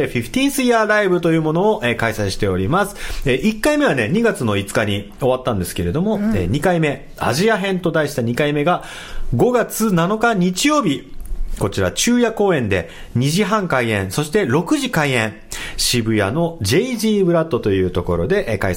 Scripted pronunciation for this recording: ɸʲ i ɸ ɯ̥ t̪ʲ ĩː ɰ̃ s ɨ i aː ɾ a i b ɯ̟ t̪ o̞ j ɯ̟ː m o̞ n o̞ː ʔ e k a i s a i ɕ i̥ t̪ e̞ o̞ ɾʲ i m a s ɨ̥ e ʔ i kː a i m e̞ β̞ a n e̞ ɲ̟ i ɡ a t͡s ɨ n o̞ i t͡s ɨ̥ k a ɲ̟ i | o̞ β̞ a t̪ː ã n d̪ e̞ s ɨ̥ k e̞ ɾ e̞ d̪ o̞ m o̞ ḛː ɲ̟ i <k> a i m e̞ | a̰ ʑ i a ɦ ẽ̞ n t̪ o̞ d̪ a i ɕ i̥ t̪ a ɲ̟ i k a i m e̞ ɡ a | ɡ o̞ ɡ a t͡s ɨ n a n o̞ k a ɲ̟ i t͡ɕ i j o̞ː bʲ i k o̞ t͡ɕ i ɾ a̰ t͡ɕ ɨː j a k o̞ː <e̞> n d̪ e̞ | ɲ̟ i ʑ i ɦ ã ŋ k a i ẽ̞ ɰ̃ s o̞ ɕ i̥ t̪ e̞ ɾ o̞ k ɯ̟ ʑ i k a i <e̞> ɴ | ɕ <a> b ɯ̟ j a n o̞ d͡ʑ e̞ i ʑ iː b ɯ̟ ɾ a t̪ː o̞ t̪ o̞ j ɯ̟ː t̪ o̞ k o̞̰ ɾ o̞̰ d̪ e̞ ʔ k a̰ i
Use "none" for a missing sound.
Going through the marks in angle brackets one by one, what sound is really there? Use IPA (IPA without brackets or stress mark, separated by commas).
k, ẽ̞, ẽ̞, i